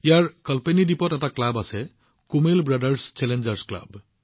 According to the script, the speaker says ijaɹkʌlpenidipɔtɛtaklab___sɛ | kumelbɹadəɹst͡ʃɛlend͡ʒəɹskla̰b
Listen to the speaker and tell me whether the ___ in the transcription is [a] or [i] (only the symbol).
a